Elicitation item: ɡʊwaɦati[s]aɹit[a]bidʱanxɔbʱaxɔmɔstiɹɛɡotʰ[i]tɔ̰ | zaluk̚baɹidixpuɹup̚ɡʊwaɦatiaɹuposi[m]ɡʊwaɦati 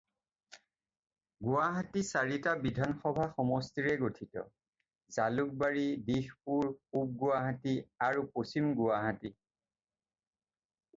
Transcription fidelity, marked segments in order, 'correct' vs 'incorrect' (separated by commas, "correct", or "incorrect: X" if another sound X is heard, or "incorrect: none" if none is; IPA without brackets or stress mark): correct, correct, correct, correct